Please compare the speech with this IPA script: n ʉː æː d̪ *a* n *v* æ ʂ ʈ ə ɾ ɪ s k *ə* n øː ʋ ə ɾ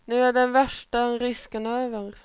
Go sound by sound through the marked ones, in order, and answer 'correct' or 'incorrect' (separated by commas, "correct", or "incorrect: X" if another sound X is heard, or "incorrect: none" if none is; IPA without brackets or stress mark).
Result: incorrect: ɛ, incorrect: ʋ, correct